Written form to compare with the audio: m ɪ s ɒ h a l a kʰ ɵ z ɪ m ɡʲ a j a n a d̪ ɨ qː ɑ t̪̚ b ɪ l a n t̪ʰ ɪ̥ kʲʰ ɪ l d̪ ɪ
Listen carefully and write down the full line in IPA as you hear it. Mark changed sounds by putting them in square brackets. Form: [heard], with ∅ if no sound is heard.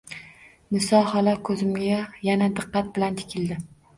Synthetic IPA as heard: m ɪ s ɒ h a l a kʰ ɵ z ɪ m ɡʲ a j a n a d̪ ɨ qː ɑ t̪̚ b ɪ l a n t̪ʰ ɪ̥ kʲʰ ɪ l d̪ ɪ